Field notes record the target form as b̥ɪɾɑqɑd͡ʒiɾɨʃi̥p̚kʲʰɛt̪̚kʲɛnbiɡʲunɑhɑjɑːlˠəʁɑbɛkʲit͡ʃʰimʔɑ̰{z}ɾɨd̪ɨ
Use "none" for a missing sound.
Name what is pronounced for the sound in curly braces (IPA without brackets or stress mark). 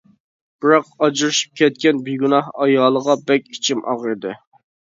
ʁ